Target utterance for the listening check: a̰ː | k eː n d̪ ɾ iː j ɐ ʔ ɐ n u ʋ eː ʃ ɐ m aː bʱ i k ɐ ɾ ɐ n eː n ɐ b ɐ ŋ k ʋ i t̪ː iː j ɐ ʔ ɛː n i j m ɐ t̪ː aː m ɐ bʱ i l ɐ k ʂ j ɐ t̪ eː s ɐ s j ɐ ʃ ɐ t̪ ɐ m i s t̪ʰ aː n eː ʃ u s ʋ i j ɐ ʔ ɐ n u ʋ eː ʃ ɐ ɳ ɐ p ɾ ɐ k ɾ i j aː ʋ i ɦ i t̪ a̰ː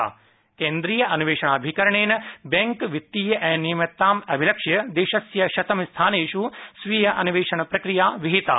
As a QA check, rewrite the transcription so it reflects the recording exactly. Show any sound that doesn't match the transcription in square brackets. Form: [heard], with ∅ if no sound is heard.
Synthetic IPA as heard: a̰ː | k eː n d̪ ɾ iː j ɐ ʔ ɐ n u ʋ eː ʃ ɐ [ɳ] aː bʱ i k ɐ ɾ ɐ [ɳ] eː n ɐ b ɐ ŋ k ʋ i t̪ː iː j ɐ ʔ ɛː n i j m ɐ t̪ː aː m ɐ bʱ i l ɐ k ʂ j ɐ [d̪] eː [ʃ] ɐ s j ɐ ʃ ɐ t̪ ɐ m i s t̪ʰ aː n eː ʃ u s ʋ i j ɐ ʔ ɐ n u ʋ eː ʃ ɐ ɳ ɐ p ɾ ɐ k ɾ i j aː ʋ i ɦ i t̪ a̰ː